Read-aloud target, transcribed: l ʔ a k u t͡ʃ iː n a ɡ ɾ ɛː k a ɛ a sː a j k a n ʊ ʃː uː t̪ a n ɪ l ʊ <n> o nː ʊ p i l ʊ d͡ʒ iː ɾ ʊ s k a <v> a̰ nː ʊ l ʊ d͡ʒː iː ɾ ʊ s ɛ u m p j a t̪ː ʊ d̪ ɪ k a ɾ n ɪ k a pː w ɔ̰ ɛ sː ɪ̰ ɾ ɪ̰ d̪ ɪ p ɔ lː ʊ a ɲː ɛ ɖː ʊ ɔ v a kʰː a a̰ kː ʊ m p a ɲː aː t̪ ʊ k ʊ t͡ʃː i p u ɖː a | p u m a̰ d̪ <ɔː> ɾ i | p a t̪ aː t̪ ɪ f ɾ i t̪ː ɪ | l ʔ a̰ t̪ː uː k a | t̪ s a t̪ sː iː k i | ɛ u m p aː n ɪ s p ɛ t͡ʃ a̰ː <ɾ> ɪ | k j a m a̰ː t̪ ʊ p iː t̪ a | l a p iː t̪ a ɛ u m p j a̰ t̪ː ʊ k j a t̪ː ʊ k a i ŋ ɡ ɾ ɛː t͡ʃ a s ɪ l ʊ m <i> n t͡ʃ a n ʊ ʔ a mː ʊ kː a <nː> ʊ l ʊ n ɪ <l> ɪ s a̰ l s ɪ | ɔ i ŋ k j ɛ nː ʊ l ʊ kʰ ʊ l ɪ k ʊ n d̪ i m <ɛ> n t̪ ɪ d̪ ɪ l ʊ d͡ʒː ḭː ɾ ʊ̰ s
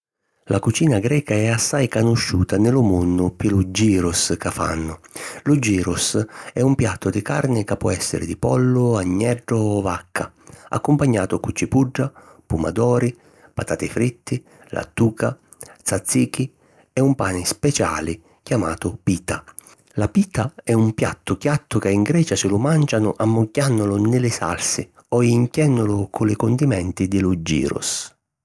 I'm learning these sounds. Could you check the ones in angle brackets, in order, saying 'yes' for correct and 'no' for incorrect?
no, no, yes, no, no, yes, yes, yes

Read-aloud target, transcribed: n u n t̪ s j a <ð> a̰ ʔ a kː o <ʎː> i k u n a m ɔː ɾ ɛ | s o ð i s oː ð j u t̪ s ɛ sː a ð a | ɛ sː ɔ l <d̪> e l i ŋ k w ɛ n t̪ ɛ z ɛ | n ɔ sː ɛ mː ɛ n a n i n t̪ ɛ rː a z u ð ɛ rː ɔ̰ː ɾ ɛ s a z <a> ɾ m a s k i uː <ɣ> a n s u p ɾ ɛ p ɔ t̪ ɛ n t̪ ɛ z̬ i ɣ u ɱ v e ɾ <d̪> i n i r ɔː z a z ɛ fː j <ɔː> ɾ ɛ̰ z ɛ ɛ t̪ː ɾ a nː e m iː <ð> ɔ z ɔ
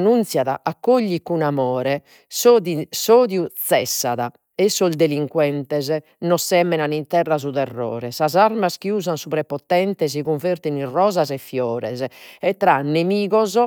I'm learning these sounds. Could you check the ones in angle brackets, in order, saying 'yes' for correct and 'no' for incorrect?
yes, yes, yes, yes, no, no, yes, no

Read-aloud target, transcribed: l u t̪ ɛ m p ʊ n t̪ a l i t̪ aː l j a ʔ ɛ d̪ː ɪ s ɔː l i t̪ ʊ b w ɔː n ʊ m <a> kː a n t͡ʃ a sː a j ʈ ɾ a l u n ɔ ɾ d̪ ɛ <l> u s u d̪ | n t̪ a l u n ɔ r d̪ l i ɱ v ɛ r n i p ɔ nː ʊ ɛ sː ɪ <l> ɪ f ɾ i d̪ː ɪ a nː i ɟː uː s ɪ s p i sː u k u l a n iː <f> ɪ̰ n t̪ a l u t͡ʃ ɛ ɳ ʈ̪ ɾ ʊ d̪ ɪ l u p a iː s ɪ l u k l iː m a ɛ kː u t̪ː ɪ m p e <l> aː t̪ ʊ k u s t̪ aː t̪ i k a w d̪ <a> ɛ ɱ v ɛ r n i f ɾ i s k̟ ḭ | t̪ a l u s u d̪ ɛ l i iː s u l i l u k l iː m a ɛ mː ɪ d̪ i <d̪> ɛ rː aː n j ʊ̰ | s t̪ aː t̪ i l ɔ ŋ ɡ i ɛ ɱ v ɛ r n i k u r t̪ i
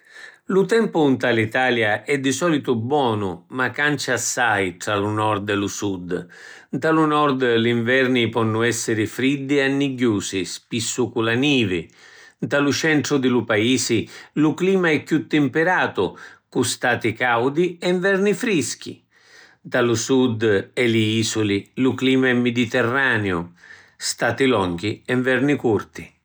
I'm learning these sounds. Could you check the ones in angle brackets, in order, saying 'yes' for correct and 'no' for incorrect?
yes, yes, no, no, no, no, no

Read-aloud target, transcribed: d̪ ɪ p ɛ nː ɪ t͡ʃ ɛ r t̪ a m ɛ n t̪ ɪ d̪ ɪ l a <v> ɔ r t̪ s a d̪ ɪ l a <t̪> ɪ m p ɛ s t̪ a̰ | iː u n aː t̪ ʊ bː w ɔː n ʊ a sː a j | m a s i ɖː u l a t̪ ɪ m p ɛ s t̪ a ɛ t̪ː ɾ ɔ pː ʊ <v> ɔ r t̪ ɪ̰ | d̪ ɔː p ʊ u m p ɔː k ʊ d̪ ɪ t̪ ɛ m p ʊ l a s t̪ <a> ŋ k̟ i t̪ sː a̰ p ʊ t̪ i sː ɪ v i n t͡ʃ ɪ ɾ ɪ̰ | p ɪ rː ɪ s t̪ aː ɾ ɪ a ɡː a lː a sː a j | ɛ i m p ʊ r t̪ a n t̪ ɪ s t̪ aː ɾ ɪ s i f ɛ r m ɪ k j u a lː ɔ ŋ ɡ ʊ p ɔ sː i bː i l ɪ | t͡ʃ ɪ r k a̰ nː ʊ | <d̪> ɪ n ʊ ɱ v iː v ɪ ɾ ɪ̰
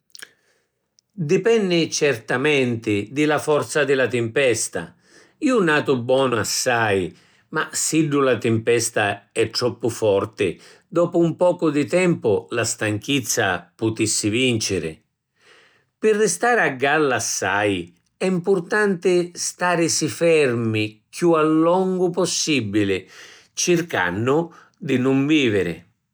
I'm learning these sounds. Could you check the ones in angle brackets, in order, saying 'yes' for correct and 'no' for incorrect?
no, yes, no, yes, yes

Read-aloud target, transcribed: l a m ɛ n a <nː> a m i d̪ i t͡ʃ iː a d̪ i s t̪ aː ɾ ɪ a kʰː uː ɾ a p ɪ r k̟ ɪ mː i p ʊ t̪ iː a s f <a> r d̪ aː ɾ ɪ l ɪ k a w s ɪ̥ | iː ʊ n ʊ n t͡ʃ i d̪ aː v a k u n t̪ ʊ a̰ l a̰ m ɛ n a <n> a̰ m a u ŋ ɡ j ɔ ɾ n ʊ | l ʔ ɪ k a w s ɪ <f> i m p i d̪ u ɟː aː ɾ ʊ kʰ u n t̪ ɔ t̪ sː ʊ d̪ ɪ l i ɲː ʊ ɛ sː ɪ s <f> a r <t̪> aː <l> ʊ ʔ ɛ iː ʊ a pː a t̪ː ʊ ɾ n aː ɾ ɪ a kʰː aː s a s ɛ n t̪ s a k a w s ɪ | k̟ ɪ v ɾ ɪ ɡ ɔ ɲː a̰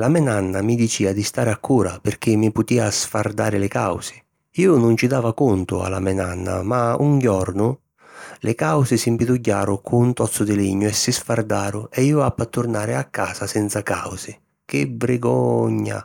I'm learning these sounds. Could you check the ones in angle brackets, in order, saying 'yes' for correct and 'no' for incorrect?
yes, yes, no, no, yes, no, no

